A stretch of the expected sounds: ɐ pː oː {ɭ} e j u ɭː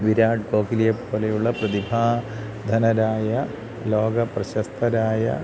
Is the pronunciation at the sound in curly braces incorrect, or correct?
incorrect